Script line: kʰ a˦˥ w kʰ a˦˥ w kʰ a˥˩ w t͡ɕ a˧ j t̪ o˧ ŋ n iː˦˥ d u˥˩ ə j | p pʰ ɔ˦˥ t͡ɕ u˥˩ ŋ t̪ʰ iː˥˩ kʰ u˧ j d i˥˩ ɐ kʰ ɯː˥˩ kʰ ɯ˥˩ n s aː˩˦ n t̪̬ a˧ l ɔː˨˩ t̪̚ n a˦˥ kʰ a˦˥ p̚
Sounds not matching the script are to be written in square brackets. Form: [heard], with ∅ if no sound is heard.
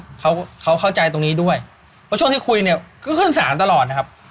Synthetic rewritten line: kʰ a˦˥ w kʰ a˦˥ w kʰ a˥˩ w t͡ɕ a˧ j t̪ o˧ ŋ n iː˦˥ d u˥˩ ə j | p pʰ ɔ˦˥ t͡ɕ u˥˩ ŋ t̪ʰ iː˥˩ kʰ u˧ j [n] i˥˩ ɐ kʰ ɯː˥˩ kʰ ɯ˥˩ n s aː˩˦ n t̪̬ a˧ l ɔː˨˩ t̪̚ n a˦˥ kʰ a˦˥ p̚